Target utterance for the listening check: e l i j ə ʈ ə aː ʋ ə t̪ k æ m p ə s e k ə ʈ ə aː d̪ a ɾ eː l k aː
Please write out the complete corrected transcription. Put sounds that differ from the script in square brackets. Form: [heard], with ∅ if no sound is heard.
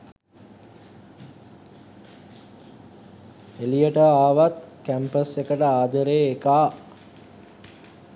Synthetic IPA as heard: e l i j ə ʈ ə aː ʋ [a] t̪ k æ m p ə s e k ə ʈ ə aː d̪ [ə] ɾ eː [∅] k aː